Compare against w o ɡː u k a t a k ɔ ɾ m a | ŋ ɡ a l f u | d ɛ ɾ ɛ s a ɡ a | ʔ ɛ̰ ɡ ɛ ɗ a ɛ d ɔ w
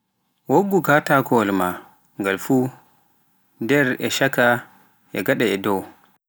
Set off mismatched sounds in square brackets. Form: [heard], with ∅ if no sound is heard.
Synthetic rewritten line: w o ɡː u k a t a k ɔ [l] m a | ŋ ɡ a l f u | d ɛ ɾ ɛ [ʃ] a [k] a | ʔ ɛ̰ ɡ [a] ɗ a ɛ d ɔ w